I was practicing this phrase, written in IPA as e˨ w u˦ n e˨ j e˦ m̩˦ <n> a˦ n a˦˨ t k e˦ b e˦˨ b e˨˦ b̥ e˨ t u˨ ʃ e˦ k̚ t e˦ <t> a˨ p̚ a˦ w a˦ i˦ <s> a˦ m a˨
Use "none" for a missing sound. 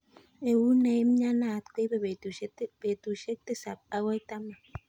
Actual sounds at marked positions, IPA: ɲ, s, t

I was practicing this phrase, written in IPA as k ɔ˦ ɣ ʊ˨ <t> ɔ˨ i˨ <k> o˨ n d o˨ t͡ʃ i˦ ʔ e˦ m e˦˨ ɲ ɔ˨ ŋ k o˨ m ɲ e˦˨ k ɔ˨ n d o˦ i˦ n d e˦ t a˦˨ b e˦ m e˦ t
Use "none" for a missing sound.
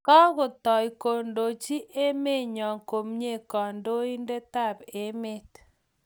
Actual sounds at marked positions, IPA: t, k

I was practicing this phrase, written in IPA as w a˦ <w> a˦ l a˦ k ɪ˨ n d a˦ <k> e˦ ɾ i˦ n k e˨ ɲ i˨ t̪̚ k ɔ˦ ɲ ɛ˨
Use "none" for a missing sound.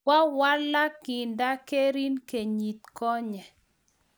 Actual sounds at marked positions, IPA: w, k

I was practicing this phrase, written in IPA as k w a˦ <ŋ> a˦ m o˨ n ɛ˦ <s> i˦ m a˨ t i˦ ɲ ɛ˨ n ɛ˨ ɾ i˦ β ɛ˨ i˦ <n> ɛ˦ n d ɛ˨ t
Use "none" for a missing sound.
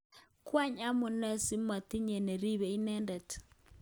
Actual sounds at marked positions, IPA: ɲ, s, n

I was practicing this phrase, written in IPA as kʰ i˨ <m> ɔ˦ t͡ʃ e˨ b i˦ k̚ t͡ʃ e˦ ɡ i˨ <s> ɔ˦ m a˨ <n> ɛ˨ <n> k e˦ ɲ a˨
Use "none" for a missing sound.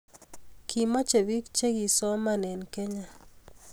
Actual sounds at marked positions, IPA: m, s, n, n

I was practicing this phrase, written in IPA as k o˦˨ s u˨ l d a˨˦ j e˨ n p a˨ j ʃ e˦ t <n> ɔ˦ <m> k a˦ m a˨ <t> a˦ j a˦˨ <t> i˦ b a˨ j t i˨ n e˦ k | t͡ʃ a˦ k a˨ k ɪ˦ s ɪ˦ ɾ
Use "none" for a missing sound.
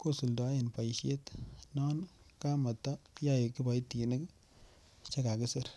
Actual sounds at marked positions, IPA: n, n, t, k

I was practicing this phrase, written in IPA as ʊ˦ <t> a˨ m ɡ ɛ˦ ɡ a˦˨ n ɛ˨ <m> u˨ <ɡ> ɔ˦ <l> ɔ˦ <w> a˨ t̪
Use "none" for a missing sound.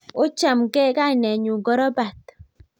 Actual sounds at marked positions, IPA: t͡ʃ, ɲ, ɡ, ɾ, b

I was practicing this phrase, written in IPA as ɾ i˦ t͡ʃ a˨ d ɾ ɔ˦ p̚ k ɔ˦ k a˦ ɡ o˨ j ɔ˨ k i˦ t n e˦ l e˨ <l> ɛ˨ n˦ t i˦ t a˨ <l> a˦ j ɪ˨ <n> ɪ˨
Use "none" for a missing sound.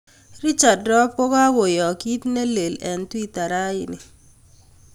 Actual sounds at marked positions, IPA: l, ɾ, n

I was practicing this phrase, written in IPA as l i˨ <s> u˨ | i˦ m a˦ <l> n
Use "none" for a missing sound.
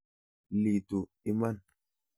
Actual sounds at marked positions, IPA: t, none

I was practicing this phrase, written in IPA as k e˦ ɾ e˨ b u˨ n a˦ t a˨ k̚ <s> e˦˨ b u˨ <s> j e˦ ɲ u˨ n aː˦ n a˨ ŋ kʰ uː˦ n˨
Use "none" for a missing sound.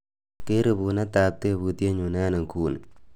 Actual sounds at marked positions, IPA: t, t

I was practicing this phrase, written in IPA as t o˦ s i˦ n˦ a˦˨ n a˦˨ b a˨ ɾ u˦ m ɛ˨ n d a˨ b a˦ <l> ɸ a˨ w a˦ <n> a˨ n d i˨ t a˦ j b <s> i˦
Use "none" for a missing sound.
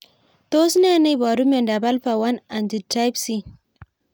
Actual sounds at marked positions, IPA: l, n, s

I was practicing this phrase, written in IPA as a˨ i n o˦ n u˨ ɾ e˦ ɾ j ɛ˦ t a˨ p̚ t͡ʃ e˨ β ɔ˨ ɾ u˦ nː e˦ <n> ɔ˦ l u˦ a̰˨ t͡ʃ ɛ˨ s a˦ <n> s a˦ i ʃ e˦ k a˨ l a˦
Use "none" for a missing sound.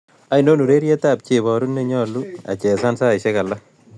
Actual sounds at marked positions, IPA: ɲ, n

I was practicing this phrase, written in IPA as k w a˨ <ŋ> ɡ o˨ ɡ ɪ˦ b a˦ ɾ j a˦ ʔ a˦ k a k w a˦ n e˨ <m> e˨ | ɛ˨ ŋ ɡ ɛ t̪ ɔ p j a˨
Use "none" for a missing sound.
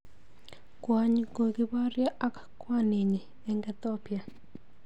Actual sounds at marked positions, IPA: ɲ, ɲ

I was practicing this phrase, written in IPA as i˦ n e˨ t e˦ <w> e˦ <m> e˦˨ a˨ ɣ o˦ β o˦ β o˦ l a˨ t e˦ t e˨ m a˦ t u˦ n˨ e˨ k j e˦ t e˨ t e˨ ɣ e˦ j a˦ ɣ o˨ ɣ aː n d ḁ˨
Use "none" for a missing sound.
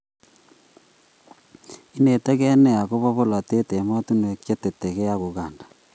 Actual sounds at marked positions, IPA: ɣ, n

